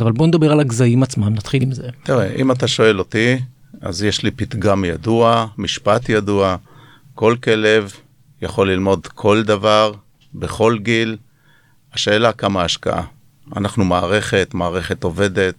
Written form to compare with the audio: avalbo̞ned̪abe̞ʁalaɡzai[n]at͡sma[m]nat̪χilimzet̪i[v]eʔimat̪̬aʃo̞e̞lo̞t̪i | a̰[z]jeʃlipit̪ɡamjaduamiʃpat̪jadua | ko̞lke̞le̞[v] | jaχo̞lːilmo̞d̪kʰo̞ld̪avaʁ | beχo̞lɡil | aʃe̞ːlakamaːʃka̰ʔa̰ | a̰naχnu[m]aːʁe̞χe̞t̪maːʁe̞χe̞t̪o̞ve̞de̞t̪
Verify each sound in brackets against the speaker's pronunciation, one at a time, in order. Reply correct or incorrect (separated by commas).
incorrect, correct, incorrect, correct, correct, correct